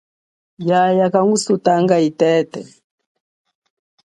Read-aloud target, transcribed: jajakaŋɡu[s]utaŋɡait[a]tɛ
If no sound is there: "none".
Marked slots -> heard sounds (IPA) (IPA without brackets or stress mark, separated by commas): s, ɛ